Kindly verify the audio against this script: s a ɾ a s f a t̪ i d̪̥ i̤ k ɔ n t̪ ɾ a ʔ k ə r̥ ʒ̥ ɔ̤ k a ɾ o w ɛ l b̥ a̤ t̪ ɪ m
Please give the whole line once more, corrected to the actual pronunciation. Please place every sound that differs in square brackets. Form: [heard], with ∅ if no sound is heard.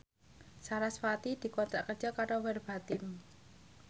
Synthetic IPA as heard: s a ɾ a s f a t̪ i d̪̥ i̤ k ɔ n t̪ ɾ a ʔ k ə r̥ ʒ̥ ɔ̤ k a ɾ o w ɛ [r] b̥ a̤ t̪ ɪ m